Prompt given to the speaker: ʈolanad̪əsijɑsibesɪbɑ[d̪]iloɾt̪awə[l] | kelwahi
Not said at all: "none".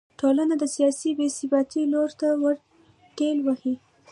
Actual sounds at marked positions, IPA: t̪, ɾ

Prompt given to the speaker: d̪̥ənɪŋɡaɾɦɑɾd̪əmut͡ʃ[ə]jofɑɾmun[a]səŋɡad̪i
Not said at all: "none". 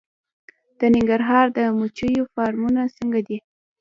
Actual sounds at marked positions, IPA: ə, a

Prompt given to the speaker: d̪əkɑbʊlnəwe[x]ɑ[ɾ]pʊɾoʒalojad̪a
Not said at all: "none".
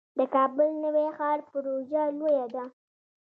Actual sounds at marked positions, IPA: x, ɾ

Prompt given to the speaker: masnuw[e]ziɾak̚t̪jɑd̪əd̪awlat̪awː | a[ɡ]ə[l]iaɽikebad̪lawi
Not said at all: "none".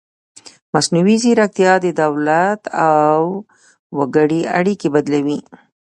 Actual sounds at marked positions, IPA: i, ɡ, ɽ

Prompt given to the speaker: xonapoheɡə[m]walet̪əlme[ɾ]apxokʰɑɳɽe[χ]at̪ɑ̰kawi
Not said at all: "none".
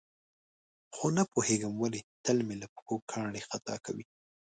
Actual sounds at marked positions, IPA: m, l, x

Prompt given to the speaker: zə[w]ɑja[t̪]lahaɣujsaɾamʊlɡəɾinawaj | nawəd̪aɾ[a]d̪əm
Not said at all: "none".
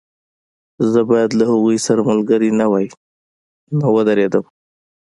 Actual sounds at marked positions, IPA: b, d̪, e

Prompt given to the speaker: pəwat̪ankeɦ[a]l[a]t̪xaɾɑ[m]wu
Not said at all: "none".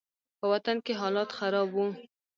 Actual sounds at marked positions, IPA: ɑ, ɑ, b

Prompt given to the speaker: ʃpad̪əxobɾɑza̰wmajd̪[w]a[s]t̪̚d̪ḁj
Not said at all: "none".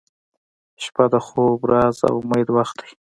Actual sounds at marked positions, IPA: w, x

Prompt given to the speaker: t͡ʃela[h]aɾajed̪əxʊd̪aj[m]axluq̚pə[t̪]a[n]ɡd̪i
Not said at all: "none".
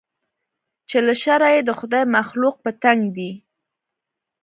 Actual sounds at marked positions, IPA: ʃ, m, t̪, ŋ

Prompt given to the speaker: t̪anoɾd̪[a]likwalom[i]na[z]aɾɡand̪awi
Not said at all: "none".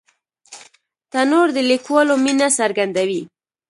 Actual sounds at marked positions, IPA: ə, i, s

